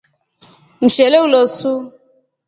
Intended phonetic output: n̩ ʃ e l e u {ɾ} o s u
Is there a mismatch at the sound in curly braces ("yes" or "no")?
yes